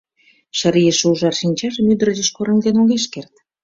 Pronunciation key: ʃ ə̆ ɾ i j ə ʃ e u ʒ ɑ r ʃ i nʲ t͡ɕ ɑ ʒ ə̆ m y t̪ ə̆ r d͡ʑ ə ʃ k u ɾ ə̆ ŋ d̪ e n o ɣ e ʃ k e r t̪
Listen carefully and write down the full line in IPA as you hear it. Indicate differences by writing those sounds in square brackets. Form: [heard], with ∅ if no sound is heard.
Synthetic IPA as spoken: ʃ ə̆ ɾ i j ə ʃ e u ʒ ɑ r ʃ i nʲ t͡ɕ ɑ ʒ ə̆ m y [d̪] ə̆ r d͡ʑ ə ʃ k [o] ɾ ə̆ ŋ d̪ e n o ɣ e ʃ k e r t̪